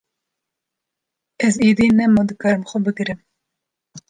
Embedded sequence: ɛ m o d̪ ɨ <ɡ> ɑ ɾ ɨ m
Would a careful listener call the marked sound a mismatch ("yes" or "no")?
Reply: yes